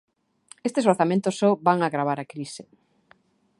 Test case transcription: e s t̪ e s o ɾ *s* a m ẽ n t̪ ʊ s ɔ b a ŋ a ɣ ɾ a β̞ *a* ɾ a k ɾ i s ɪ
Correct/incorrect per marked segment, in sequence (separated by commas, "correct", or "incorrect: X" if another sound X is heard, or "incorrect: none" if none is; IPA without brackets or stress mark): incorrect: θ, correct